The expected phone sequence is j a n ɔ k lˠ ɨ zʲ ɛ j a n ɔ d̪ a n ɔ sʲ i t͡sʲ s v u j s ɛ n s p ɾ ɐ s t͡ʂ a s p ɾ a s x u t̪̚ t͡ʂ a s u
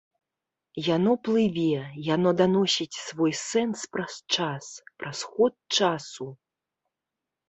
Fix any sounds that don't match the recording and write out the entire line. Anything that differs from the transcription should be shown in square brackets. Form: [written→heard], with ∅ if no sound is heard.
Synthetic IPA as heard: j a n ɔ [k→p] lˠ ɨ [zʲ→vʲ] ɛ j a n ɔ d̪ a n ɔ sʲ i t͡sʲ s v [u→ɔ] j s ɛ n s p ɾ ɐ s t͡ʂ a s p ɾ a s x [u→ɔ] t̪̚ t͡ʂ a s u